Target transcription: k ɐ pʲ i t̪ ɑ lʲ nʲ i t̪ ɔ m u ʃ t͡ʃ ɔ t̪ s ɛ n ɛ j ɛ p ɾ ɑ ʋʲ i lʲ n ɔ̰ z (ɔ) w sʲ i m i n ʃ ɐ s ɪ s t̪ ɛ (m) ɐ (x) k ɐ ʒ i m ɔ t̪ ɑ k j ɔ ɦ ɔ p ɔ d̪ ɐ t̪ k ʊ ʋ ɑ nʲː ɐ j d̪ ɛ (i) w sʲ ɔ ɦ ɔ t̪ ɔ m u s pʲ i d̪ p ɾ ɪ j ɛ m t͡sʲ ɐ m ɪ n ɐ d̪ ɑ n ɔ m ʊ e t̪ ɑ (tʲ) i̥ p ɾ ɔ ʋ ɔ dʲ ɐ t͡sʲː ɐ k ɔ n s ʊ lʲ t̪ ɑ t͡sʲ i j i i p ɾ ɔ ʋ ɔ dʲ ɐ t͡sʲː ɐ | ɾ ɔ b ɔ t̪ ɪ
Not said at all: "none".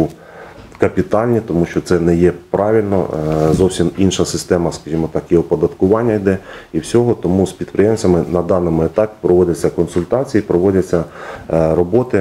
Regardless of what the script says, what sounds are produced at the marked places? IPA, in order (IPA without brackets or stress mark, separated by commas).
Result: ɔ, m, s, i, pʲ